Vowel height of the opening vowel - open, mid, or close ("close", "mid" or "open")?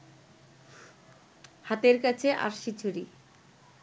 open